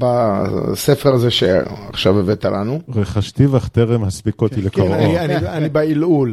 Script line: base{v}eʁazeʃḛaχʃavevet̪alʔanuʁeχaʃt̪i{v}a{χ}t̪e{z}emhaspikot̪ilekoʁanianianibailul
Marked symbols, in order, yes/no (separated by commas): no, yes, yes, no